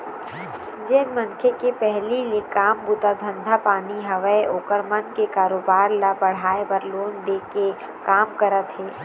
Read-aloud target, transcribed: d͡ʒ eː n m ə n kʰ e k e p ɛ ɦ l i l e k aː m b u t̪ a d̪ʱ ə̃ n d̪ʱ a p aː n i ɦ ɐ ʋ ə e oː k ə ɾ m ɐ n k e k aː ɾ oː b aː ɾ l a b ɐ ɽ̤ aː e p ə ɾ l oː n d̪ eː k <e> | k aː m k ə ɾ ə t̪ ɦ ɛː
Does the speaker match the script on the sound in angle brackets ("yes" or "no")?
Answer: yes